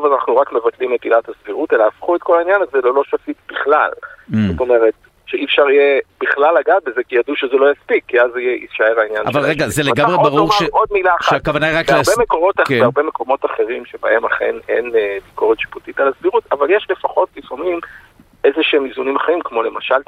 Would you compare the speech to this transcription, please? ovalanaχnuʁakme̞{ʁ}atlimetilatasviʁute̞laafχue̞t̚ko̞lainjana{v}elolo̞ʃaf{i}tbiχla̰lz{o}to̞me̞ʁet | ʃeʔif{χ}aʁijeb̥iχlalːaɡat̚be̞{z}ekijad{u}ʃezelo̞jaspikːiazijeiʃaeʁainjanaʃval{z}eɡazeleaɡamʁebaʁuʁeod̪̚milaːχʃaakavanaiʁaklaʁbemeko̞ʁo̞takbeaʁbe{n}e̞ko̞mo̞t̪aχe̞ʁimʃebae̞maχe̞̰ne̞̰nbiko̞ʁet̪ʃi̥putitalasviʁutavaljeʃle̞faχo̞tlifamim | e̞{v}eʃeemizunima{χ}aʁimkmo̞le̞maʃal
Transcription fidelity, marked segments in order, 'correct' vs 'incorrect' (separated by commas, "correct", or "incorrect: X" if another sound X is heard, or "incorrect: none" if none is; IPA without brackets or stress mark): incorrect: v, incorrect: z, correct, correct, incorrect: ʃ, correct, correct, incorrect: ʁ, incorrect: m, incorrect: z, correct